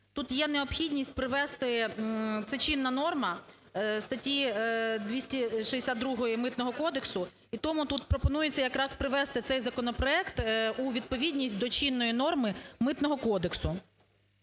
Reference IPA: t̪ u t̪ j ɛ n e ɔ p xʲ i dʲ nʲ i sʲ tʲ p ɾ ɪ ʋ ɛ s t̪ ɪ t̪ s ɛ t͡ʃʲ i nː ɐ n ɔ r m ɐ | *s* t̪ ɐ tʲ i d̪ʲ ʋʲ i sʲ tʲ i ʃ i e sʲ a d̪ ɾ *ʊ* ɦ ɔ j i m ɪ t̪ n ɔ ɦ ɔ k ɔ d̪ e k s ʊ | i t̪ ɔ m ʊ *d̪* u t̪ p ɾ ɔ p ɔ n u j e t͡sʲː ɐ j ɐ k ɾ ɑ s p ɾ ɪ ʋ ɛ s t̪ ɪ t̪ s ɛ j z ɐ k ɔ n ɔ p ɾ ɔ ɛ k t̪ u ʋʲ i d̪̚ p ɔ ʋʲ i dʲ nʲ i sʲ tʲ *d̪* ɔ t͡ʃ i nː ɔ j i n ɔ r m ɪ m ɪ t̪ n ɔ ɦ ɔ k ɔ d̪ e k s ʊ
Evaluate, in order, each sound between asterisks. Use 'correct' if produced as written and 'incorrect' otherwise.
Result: correct, incorrect, incorrect, correct

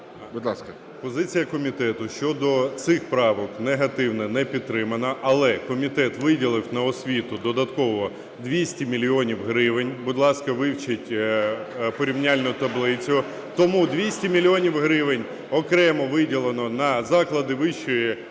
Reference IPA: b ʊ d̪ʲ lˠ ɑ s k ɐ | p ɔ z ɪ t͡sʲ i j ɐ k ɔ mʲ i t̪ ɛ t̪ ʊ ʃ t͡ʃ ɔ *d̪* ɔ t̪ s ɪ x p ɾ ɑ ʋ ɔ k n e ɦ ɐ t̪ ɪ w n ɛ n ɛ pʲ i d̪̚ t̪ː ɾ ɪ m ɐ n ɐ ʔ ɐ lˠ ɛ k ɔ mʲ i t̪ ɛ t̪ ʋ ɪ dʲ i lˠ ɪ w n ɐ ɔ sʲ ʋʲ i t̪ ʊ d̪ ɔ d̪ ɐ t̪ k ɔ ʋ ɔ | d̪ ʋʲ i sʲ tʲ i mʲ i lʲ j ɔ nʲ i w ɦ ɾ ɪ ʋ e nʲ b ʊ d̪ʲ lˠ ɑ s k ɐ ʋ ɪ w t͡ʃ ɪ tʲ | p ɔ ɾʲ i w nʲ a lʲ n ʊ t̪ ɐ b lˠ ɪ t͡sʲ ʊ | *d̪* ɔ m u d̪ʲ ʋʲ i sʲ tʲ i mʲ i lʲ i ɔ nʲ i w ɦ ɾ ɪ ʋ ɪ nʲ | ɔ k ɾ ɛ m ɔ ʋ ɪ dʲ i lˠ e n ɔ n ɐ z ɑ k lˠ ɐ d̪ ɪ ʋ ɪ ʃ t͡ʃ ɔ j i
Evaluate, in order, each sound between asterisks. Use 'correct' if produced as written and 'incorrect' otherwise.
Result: correct, incorrect

